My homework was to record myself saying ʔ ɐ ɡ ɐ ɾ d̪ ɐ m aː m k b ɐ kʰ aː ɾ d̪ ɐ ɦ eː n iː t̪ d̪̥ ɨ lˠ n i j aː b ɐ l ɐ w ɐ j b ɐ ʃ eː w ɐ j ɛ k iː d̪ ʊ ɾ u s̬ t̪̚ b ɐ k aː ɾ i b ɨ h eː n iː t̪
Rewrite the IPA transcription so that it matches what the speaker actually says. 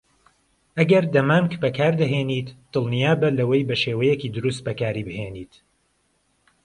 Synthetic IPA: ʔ ɐ ɡ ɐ ɾ d̪ ɐ m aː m k b ɐ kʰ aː ɾ d̪ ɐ ɦ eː n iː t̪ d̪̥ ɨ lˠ n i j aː b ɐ l ɐ w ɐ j b ɐ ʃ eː w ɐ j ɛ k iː d̪ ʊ ɾ u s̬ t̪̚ b ɐ k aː ɾ i b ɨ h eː n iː t̪

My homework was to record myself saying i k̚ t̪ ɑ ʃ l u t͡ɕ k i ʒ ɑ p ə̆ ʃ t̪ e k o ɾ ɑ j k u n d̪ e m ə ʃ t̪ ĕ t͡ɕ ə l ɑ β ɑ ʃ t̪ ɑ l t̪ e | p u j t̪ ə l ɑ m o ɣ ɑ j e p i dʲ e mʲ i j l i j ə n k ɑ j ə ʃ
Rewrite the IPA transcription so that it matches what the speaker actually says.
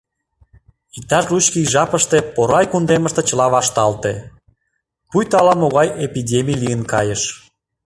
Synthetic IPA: i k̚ t̪ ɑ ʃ l u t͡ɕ k i ʒ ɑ p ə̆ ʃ t̪ e p o ɾ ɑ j k u n d̪ e m ə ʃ t̪ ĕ t͡ɕ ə l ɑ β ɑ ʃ t̪ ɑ l t̪ e | p u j t̪ ɑ l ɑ m o ɣ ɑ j e p i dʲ e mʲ i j l i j ə n k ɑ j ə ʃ

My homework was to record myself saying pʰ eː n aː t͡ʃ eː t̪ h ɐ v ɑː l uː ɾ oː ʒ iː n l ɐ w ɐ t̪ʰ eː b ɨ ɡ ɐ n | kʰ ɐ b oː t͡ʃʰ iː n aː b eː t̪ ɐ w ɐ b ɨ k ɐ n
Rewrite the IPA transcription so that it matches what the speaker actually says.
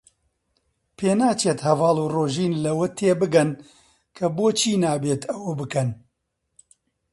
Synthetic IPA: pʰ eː n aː t͡ʃ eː t̪ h ɐ v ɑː l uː r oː ʒ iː n l ɐ w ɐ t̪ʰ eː b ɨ ɡ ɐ n | kʰ ɐ b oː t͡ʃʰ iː n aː b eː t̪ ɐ w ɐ b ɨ k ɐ n

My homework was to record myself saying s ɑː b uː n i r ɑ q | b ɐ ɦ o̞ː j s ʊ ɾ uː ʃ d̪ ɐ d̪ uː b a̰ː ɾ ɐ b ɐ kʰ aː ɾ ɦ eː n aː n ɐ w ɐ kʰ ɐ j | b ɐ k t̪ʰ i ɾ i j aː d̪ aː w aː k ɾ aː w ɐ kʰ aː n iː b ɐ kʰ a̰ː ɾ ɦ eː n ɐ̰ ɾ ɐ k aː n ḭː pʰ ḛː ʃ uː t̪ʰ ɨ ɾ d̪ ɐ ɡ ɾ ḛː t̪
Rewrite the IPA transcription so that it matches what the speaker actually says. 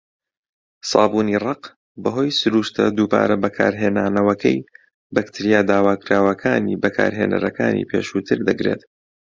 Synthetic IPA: s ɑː b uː n i r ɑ q | b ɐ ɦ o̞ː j s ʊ ɾ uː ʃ t̪ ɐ d̪ uː b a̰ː ɾ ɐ b ɐ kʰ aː ɾ ɦ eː n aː n ɐ w ɐ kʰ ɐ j | b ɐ k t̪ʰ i ɾ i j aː d̪ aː w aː k ɾ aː w ɐ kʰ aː n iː b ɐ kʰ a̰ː ɾ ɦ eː n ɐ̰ ɾ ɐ k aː n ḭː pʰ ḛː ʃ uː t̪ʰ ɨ ɾ d̪ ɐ ɡ ɾ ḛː t̪

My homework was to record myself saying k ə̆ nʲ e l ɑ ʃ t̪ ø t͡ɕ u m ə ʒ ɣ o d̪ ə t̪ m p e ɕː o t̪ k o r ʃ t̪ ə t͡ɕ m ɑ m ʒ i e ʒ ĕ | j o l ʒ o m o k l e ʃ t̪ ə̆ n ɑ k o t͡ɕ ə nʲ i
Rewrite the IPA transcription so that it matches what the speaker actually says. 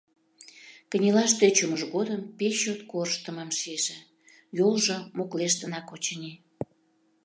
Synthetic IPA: k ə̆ nʲ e l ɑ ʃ t̪ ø t͡ɕ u m ə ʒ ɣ o d̪ ə m p e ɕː o t̪ k o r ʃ t̪ ə m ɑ m ʃ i e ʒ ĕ | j o l ʒ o m o k l e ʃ t̪ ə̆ n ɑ k o t͡ɕ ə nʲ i

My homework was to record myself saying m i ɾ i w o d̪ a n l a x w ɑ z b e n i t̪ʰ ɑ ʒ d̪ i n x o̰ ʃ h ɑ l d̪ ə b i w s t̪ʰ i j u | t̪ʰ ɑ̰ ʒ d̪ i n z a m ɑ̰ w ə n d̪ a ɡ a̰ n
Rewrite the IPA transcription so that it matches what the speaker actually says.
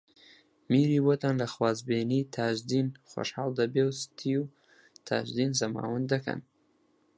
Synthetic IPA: m i ɾ i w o t̪ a n l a x w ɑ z b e n i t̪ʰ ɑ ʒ d̪ i n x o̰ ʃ h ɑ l d̪ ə b e w s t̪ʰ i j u | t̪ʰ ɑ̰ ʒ d̪ i n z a m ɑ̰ w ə n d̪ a k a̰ n

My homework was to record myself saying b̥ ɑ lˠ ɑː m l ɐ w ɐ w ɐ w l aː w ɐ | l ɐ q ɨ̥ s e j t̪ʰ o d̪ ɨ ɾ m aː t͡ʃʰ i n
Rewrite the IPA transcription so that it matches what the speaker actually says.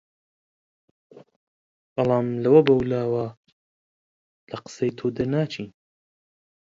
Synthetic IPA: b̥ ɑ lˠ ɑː m l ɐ w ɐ b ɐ w l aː w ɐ | l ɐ q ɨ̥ s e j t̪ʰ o d̪ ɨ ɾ n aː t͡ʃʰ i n

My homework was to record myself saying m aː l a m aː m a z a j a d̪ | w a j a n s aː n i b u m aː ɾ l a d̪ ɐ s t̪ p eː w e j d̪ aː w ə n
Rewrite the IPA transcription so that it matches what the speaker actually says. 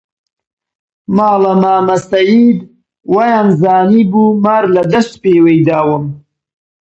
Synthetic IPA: m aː l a m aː m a s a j i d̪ | w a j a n z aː n i b u m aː ɾ l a d̪ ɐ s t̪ p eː w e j d̪ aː w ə m

